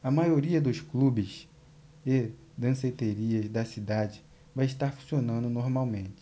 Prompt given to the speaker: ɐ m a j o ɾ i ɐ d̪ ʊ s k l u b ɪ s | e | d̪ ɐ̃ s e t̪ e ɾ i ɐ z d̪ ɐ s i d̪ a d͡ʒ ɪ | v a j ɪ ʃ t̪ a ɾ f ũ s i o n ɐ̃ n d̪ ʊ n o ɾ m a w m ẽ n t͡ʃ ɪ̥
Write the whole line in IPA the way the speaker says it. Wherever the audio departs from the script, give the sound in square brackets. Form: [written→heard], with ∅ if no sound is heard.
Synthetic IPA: ɐ m a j o ɾ i ɐ d̪ ʊ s k l u b ɪ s | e | d̪ ɐ̃ s e t̪ e ɾ i ɐ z d̪ ɐ s i d̪ a d͡ʒ ɪ | v a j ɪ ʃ t̪ a ɾ f ũ s i o n ɐ̃ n d̪ ʊ n o ɾ m a w m ẽ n t͡ʃ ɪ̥